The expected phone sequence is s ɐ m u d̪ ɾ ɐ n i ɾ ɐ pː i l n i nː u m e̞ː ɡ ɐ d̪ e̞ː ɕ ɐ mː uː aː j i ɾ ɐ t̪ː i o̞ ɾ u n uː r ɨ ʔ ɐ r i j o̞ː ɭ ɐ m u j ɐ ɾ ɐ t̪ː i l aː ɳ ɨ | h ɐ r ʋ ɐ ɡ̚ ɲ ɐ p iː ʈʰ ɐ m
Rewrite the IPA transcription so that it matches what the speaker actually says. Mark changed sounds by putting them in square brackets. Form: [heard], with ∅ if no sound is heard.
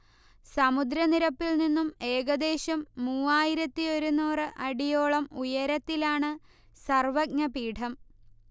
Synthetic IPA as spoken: s ɐ m u d̪ ɾ ɐ n i ɾ ɐ pː i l n i nː u m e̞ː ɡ ɐ d̪ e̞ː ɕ ɐ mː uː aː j i ɾ ɐ t̪ː i o̞ ɾ u n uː r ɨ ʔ ɐ [ɽ] i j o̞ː ɭ ɐ m u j ɐ ɾ ɐ t̪ː i l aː ɳ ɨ | [s] ɐ r ʋ ɐ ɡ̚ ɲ ɐ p iː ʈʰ ɐ m